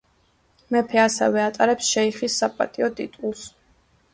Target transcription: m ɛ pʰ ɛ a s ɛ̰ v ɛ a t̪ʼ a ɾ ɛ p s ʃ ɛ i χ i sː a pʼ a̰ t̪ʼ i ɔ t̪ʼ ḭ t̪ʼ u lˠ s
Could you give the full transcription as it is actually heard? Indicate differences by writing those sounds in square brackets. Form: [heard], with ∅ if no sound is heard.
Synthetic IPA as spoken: m ɛ pʰ ɛ a s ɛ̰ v ɛ a t̪ʼ a ɾ ɛ p s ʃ ɛ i χ i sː a pʼ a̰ t̪ʼ i ɔ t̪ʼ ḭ t̪ʼ u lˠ s